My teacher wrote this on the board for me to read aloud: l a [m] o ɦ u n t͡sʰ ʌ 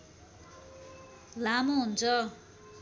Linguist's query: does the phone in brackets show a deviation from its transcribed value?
no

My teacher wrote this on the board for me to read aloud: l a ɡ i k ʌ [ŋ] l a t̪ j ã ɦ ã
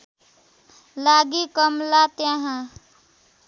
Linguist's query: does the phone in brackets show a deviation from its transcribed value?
yes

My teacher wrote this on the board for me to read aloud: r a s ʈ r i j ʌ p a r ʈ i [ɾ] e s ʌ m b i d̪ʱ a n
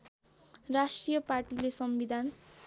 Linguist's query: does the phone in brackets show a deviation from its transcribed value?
yes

